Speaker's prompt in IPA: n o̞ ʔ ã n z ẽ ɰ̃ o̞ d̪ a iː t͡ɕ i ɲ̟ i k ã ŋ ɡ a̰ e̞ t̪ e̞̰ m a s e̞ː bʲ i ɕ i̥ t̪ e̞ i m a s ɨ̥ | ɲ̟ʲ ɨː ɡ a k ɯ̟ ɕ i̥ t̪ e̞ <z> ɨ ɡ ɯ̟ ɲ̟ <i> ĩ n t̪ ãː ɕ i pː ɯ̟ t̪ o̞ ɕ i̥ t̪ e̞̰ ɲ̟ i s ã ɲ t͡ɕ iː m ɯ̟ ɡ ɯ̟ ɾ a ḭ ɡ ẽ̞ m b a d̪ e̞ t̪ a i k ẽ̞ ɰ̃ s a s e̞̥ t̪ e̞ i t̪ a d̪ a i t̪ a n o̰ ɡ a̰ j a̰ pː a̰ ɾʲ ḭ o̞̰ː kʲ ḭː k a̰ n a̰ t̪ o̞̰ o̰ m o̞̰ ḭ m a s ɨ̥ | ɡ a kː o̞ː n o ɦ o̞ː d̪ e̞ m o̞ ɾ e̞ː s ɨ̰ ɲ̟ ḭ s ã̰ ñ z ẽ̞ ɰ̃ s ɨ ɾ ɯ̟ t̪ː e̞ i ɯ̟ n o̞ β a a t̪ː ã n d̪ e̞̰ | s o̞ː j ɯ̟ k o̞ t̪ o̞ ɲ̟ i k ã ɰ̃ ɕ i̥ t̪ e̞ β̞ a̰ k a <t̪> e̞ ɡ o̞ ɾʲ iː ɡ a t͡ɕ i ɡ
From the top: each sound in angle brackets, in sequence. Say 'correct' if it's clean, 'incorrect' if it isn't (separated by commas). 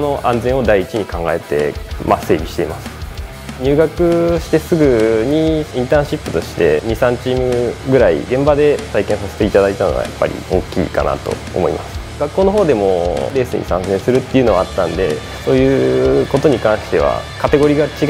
incorrect, correct, correct